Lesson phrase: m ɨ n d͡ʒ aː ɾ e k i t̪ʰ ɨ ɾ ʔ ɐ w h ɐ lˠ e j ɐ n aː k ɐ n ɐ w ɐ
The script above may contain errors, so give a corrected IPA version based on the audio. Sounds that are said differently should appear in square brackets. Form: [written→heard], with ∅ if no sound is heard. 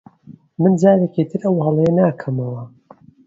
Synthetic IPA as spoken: m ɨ n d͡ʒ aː ɾ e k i t̪ʰ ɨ ɾ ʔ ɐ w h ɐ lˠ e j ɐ n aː [k→kʰ] ɐ [n→m] ɐ w ɐ